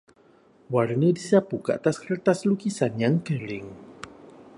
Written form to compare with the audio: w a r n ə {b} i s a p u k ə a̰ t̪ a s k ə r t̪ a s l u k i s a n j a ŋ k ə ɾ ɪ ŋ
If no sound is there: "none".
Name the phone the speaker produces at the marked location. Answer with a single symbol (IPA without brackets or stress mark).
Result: d